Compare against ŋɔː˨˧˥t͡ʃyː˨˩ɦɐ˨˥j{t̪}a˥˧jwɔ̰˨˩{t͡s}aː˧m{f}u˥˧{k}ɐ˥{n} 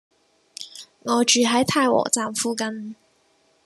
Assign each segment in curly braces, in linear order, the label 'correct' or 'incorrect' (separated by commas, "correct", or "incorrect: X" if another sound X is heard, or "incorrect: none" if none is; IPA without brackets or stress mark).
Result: incorrect: t̪ʰ, correct, correct, correct, correct